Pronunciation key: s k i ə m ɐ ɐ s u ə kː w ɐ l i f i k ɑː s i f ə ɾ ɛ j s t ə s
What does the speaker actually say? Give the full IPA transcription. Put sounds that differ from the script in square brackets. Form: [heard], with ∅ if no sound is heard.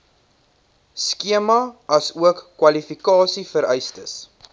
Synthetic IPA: s k i ə m ɐ ɐ s u ə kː w ɐ l i f i k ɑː s i f ə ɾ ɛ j s t ə s